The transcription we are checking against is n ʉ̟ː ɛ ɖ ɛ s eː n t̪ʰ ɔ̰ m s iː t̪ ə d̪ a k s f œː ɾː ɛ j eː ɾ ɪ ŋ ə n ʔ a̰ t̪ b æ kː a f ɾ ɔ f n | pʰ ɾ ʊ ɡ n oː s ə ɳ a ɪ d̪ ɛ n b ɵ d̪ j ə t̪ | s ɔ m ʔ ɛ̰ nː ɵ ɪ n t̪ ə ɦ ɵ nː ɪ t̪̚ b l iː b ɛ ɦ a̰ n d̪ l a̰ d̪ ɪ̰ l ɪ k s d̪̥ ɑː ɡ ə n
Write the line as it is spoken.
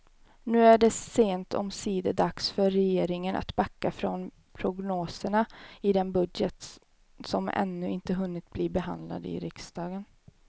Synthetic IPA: n ʉ̟ː æ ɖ ɛ s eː n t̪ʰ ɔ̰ m s iː d̪ ə d̪ a k s f œ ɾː ɛ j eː ɾ ɪ ŋ ə n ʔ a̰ t̪ b a kː a f ɾ ɔ n | pʰ ɾ ʊ ɡ n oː s ə ɳ a ɪ d̪ ɛ n b ɵ d̪ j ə t̪ | s ɔ m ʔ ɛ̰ nː ɵ ɪ n t̪ ə ɦ ɵ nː ɪ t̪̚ b l iː b ɛ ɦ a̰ n d̪ l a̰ d̪ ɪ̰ ɾ ɪ k s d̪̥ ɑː ɡ ə n

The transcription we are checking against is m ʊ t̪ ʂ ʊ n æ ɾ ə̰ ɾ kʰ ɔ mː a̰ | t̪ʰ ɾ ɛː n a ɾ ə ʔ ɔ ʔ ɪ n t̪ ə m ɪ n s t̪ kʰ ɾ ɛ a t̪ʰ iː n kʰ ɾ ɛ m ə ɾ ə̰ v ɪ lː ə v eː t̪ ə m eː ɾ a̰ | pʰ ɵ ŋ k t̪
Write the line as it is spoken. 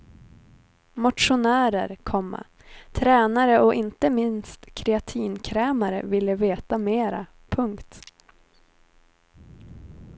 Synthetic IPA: m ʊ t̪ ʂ ʊ n æː ɾ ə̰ ɾ kʰ ɔ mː a̰ | t̪ʰ ɾ ɛː n a ɾ ə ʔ ɔ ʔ ɪ n t̪ ə m ɪ n s t̪ kʰ ɾ ɛ a t̪ʰ iː n kʰ ɾ ɛː m a ɾ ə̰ v ɪ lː ə v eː t̪ a m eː ɾ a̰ | pʰ ɵ ŋ k t̪

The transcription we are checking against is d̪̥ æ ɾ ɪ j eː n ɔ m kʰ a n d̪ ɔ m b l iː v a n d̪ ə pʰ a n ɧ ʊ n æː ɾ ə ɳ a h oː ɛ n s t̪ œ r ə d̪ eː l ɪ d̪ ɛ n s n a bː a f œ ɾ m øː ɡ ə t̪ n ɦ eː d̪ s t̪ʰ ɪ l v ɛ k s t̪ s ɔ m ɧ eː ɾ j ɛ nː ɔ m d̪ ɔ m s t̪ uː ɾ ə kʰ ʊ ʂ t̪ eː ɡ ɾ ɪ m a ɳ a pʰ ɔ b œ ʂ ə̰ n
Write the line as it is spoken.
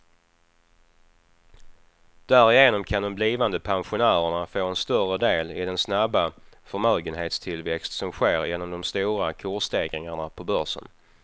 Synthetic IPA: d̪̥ æ ɾ ɪ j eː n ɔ m kʰ a n d̪ ɔ m b l iː v a n d̪ ə pʰ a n ɧ ʊ n æː ɾ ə ɳ a f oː ɛ n s t̪ œ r ə d̪ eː l ɪ d̪ ɛ n s n a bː a f œ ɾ m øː ɡ ə n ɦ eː t̪ s t̪ʰ ɪ l v ɛ k s t̪ s ɔ m ɧ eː ɾ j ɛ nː ɔ m d̪ ɔ m s t̪ uː ɾ a kʰ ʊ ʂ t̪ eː ɡ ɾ ɪ ŋ a ɳ a pʰ ɔ b œ ʂ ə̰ n

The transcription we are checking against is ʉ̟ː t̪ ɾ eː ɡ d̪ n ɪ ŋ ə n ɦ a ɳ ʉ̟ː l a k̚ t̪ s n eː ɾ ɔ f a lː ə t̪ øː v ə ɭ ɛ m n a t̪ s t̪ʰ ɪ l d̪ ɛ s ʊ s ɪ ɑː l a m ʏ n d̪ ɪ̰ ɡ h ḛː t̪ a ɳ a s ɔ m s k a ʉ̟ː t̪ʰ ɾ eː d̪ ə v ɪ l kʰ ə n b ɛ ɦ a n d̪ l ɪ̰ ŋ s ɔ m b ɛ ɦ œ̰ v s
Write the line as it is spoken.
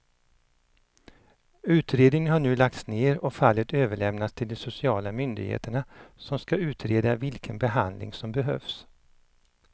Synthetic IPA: ʉ̟ː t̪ ɾ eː d̪ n ɪ ŋ ə n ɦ a ɳ ʉ̟ː l a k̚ t̪ s n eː ɾ ɔ f a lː ə t̪ øː v ə ɭ ɛ m n a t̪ s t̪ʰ ɪ l d̪ ɛ s ʊ s ɪ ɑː l a m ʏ n d̪ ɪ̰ ɡ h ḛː t̪ ə ɳ a s ɔ m s k a ʉ̟ː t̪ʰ ɾ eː d̪ a v ɪ l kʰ ə n b ɛ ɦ a n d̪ l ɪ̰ ŋ s ɔ m b ɛ ɦ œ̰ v s

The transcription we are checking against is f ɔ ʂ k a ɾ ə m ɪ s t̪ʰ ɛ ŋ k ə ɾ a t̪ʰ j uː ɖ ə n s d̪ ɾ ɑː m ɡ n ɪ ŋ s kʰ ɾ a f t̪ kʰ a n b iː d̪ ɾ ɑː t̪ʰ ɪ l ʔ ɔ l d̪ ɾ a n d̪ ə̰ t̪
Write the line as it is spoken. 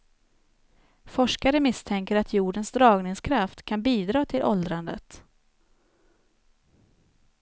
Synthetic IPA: f ɔ ʂ k a ɾ ə m ɪ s t̪ʰ ɛ ŋ k ə ɾ a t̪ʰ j uː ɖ ə n s d̪ ɾ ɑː ɡ n ɪ ŋ s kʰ ɾ a f t̪ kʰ a n b iː d̪ ɾ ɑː t̪ʰ ɪ l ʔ ɔ l d̪ ɾ a n d̪ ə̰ t̪

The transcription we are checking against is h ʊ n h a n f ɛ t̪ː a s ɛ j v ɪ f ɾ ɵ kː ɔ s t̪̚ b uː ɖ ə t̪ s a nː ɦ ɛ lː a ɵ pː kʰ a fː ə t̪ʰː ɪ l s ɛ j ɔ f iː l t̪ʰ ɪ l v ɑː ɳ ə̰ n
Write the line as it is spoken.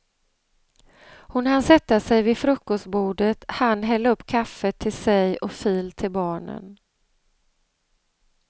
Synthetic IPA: h ʊ n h a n s ɛ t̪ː a s ɛ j v ɪ f ɾ ɵ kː ɔ s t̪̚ b uː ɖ ə t̪ h a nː ɦ ɛ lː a ɵ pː kʰ a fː ə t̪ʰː ɪ l s ɛ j ɔ f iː l t̪ʰ ɪ l b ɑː ɳ ə̰ n

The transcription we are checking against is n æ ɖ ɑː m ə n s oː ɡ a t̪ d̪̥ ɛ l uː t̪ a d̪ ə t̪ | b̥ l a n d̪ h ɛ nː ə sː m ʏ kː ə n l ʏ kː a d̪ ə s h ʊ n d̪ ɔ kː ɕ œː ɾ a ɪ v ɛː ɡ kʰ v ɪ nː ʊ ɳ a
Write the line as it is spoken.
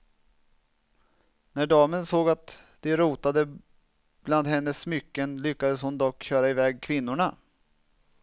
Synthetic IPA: n æ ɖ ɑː m ə n s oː ɡ a t̪ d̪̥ ɛ ɾ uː t̪ a d̪ ə | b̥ l a n d̪ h ɛ nː ə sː m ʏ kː ə n l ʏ kː a d̪ ə s h ʊ n d̪ ɔ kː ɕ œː ɾ a ɪ v ɛː ɡ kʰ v ɪ nː ʊ ɳ a

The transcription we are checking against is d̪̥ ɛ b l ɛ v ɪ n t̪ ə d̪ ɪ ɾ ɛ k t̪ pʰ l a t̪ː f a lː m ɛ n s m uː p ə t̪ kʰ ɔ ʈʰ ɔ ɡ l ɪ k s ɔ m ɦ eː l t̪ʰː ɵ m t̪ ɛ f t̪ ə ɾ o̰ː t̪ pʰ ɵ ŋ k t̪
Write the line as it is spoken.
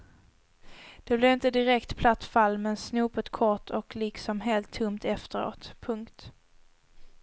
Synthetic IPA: d̪̥ ɛ b l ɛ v ɪ n t̪ ə d̪ ɪ ɾ ɛ k t̪ pʰ l a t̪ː f a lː m ɛ n s n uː p ə t̪ kʰ ɔ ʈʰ ɔ k l ɪ k s ɔ m ɦ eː l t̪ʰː ɵ m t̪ ɛ f t̪ ə ɾ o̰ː t̪ pʰ ɵ ŋ k t̪

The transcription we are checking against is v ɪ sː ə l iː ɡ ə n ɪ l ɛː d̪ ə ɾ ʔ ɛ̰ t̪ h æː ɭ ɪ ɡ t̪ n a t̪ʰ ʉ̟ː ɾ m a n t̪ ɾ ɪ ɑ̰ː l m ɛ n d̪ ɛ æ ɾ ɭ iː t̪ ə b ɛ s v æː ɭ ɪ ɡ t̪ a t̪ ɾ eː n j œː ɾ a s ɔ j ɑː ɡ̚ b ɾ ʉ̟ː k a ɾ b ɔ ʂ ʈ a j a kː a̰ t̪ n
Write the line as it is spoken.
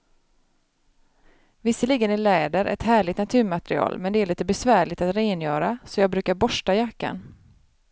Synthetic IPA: v ɪ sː ə l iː ɡ ə n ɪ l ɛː d̪ ə ɾ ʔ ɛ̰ t̪ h æː ɭ ɪ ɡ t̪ n a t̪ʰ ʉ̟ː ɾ m a t̪ ɾ ɪ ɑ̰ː l m ɛ n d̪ ɛ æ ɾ ɭ iː t̪ ə b ɛ s v æː ɭ ɪ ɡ t̪ a t̪ ɾ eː n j œː ɾ a s ɔ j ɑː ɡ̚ b ɾ ʉ̟ː k a ɾ b ɔ ʂ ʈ a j a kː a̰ n

